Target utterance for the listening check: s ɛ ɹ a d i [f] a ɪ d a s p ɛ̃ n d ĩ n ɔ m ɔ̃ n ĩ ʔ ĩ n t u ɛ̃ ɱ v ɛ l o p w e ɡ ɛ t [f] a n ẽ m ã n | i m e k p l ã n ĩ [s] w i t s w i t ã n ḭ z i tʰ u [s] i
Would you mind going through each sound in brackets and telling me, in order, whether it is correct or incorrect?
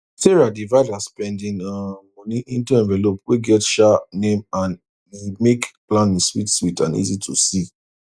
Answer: incorrect, incorrect, correct, correct

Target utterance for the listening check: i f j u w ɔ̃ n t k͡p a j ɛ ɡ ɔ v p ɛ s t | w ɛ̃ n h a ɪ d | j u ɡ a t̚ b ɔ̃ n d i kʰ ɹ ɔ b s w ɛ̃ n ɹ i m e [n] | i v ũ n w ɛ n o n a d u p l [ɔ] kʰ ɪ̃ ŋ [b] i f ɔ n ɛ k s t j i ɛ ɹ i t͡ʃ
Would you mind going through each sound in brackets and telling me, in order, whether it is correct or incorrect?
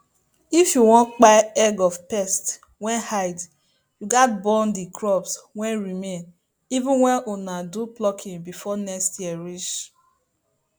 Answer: correct, correct, correct

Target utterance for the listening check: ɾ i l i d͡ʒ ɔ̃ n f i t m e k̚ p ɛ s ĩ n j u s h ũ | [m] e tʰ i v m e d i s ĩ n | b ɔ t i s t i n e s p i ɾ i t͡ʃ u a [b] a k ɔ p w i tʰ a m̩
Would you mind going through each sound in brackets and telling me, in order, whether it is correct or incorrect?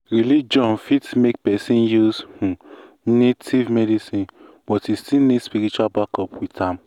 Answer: incorrect, correct

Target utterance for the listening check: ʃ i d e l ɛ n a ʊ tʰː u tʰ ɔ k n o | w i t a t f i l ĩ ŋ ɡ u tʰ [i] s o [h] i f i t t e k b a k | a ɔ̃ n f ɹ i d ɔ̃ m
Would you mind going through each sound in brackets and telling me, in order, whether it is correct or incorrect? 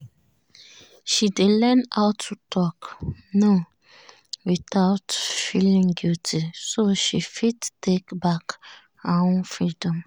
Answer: correct, incorrect

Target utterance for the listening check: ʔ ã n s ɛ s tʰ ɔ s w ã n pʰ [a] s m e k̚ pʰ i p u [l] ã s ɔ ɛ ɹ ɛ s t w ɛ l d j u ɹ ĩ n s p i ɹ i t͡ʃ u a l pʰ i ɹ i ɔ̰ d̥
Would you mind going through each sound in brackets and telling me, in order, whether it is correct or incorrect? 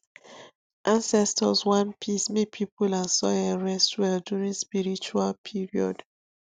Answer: incorrect, correct

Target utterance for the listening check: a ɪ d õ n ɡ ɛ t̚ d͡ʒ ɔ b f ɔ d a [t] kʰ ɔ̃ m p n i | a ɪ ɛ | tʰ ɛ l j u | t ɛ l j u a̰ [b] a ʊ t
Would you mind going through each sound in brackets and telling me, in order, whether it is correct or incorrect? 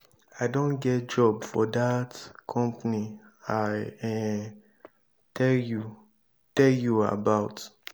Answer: correct, correct

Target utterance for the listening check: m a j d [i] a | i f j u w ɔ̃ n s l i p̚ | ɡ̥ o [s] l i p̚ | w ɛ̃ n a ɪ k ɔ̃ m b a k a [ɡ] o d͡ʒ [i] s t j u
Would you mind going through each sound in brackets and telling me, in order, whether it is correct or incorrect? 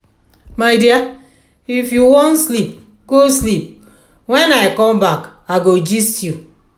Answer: correct, correct, correct, correct

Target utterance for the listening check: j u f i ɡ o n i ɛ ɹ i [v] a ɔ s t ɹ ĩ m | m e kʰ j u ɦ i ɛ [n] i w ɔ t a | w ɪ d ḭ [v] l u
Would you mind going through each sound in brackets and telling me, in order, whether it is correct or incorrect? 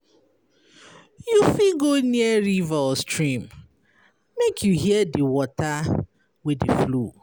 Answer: correct, incorrect, incorrect

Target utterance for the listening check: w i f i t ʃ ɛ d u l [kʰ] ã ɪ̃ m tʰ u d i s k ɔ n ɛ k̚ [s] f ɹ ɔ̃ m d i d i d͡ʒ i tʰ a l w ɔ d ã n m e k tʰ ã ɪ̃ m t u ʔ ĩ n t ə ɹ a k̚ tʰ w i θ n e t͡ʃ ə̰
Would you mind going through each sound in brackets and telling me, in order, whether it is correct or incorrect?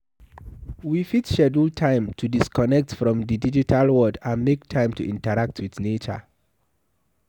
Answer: incorrect, incorrect

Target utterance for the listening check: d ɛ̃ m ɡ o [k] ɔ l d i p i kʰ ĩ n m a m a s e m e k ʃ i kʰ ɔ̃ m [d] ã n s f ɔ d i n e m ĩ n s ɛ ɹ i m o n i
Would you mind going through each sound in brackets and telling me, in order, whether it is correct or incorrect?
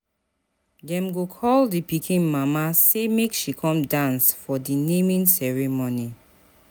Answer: incorrect, correct

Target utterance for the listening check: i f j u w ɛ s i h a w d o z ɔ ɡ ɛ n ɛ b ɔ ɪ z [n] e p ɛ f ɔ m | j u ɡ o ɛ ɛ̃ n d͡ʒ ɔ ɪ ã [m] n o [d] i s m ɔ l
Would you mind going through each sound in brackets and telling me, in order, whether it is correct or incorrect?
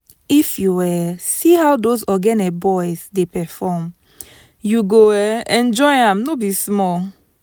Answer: incorrect, correct, incorrect

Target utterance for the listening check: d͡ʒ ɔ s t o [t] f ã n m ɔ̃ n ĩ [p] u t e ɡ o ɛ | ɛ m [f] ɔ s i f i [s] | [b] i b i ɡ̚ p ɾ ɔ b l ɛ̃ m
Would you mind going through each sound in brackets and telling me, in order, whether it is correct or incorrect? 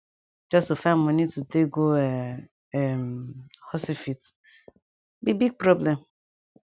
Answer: incorrect, incorrect, incorrect, incorrect, correct

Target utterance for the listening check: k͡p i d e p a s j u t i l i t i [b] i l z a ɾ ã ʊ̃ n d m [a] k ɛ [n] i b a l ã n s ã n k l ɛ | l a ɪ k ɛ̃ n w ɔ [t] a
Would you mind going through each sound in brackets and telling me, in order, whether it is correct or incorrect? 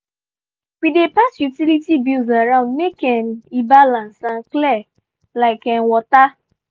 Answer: correct, incorrect, correct, correct

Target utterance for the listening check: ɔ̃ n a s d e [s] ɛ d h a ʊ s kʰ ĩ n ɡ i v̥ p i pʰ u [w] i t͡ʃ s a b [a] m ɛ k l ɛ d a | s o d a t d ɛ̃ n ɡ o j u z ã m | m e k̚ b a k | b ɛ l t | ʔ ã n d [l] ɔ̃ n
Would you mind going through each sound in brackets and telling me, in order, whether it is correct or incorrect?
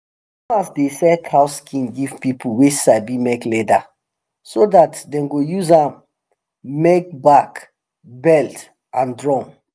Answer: correct, correct, incorrect, incorrect

